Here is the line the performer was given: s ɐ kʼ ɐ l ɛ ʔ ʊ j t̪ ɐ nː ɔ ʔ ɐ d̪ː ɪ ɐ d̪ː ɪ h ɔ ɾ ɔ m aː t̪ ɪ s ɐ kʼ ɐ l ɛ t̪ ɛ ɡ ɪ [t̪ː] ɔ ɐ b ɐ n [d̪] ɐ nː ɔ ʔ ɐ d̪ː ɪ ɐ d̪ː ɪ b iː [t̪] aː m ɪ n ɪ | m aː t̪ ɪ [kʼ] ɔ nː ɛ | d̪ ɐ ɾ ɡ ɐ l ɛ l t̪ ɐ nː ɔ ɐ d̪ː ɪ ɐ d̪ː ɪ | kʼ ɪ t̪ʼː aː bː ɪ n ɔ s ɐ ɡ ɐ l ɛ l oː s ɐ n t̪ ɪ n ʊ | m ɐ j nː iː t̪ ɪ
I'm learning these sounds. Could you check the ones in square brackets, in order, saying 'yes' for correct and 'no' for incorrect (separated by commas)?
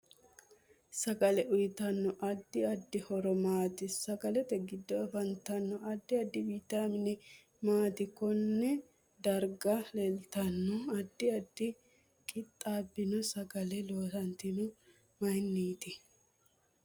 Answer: no, no, yes, no